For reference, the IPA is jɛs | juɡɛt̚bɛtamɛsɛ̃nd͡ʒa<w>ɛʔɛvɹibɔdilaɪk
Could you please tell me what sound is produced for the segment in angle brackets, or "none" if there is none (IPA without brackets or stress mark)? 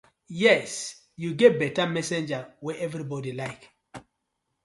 w